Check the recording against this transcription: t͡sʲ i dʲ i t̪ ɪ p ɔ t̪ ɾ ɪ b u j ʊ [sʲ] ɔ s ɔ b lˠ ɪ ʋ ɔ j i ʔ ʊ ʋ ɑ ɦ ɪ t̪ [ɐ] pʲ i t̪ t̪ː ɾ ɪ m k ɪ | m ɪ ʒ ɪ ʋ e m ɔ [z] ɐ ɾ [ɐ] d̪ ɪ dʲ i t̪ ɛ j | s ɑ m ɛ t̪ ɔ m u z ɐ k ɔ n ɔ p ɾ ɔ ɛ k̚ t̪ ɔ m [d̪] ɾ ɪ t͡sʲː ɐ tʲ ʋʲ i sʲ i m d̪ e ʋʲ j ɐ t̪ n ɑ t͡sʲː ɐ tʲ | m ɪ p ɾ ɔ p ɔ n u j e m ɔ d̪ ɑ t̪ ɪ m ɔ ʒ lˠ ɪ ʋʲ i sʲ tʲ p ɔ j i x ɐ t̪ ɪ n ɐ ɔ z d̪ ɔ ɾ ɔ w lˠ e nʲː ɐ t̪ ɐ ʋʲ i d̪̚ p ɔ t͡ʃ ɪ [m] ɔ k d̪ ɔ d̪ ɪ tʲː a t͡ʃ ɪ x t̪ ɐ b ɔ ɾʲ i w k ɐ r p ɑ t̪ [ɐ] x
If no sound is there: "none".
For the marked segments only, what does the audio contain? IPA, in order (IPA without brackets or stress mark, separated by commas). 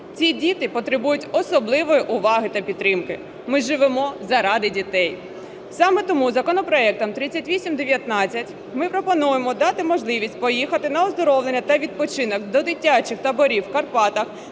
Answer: tʲ, ɐ, z, ɑ, t̪, n, ɐ